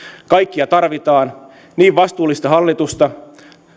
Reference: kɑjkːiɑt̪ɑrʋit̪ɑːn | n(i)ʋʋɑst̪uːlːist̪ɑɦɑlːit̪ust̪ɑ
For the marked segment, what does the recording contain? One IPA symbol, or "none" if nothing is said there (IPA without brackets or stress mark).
iː